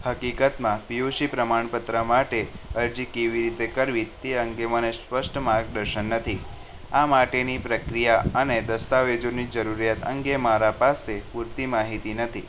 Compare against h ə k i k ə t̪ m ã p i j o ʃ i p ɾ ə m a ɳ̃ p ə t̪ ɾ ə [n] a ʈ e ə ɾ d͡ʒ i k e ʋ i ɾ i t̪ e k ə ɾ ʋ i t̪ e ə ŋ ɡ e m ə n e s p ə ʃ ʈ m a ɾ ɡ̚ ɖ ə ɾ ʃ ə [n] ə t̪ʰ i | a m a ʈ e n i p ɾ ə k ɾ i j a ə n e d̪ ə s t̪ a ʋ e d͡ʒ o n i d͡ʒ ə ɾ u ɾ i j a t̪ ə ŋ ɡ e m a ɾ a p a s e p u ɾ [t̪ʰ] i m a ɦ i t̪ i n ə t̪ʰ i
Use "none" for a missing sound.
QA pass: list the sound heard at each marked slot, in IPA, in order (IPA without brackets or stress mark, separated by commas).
m, nː, t̪